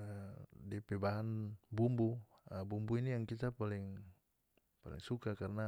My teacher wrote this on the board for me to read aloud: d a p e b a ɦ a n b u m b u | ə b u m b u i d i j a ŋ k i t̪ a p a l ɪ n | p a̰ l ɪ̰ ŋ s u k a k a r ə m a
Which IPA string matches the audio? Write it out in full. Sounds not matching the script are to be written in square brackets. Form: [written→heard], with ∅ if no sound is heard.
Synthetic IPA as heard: d [a→i] p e b a ɦ a n b u m b u | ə b u m b u i [d→n] i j a ŋ k i t̪ a p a l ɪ [n→ŋ] | p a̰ l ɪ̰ ŋ s u k a k a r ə [m→n] a